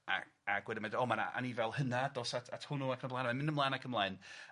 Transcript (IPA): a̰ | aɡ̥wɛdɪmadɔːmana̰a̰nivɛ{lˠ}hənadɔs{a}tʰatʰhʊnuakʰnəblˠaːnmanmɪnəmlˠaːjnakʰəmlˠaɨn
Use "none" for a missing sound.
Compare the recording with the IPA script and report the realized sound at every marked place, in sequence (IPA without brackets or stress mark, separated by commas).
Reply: lˠ, a